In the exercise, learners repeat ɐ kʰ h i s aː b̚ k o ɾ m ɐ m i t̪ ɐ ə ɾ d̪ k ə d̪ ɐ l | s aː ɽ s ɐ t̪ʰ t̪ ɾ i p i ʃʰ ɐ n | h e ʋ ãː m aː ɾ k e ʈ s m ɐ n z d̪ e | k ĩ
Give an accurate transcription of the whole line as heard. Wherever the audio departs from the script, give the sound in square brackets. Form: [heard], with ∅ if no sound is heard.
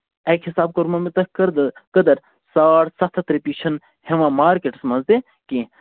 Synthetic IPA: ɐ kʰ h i s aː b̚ k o ɾ m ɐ m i t̪ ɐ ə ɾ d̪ k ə d̪ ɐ [ɾ] | s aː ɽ s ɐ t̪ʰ t̪ ɾ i p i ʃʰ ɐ n | h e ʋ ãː m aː ɾ k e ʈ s m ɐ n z d̪ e | k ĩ